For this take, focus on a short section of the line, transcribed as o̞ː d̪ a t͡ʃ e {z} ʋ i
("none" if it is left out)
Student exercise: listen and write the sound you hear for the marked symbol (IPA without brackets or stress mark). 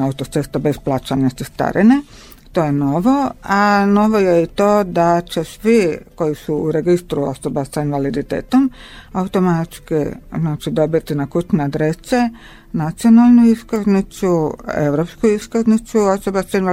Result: s